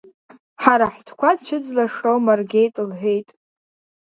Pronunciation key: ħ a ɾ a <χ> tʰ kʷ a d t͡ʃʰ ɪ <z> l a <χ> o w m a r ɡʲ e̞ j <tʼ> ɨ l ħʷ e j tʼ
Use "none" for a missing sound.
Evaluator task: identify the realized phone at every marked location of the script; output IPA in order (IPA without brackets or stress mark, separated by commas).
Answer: ħ, d͡z, ʂ, tʼ